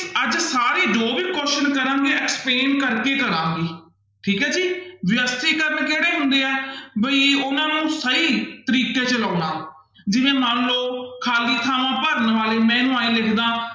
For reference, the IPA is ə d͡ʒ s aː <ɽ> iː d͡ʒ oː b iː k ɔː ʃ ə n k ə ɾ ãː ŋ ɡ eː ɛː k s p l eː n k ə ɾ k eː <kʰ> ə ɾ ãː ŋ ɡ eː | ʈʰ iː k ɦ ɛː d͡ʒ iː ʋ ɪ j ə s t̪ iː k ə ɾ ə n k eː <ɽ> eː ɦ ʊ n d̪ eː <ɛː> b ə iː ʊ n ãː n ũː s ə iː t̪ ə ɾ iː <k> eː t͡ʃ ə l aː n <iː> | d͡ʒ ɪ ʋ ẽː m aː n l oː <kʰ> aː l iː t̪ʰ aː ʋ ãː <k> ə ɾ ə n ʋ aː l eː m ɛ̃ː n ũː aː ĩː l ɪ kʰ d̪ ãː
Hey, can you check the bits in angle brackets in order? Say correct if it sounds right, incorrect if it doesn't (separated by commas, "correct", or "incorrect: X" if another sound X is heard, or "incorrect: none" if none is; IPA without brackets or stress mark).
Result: incorrect: ɾ, incorrect: k, correct, correct, correct, incorrect: aː, correct, incorrect: p